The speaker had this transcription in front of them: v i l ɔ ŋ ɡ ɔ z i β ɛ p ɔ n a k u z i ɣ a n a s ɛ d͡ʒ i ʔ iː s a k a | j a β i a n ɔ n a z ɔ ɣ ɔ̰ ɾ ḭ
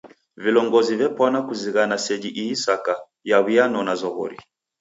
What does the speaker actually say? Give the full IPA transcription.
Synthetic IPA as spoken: v i l ɔ ŋ ɡ ɔ z i v ɛ p ɔ n a k u z i ɣ a n a s ɛ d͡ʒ i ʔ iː s a k a | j a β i a n ɔ n a z ɔ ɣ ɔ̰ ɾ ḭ